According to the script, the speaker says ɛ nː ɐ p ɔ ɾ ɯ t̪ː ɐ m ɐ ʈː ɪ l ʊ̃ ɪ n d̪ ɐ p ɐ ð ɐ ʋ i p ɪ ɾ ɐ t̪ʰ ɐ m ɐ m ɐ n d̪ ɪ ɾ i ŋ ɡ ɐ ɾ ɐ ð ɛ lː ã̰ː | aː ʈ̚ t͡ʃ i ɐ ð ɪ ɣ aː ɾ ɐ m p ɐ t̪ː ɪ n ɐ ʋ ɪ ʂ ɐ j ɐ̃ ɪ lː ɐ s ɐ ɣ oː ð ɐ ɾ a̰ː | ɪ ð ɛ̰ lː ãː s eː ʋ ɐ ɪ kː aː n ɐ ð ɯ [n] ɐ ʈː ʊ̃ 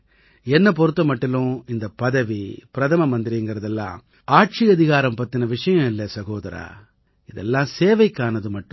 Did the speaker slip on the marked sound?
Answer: yes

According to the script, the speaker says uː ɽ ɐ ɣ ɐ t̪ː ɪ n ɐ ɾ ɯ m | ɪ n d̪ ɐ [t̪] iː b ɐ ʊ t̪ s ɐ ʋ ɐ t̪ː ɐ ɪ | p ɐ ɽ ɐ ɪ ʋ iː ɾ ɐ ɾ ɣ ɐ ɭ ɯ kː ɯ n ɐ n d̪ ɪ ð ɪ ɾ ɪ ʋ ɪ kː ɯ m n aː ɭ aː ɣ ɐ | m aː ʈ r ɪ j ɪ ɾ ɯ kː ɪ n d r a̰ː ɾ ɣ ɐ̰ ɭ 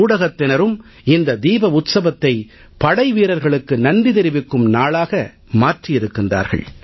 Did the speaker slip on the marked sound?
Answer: yes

